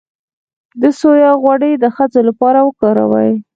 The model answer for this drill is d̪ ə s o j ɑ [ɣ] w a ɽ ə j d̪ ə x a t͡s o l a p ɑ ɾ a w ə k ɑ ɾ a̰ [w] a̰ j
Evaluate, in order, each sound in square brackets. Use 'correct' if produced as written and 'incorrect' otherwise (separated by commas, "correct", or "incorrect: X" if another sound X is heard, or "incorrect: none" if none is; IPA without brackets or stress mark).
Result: correct, correct